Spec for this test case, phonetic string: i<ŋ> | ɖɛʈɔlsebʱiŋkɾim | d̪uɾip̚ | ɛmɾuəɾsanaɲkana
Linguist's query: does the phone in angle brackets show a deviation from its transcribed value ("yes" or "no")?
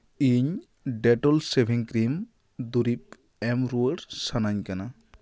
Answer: yes